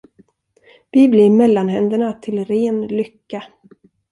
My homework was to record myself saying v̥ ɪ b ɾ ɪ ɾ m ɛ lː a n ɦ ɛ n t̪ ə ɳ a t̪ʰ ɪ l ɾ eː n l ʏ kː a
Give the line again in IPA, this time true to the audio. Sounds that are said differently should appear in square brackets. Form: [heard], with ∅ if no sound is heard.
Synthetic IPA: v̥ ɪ b [l] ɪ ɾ m ɛ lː a n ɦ ɛ n [d̪] ə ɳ a t̪ʰ ɪ l ɾ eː n l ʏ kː a